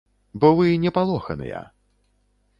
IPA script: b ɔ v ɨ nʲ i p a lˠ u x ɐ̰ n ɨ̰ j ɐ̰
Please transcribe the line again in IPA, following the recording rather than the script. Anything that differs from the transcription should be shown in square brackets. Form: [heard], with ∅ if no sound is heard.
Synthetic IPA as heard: b ɔ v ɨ nʲ [ɛ] p a lˠ [ɔ] x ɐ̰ n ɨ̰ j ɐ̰